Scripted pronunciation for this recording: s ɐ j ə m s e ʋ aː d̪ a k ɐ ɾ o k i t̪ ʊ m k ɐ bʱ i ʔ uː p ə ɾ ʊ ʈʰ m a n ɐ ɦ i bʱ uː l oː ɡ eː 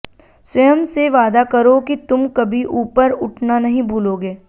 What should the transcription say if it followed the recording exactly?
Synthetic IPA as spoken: s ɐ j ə m s e ʋ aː d̪ a k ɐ ɾ o k i t̪ ʊ m k ɐ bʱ i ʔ uː p ə ɾ ʊ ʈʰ n a n ɐ ɦ ĩ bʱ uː l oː ɡ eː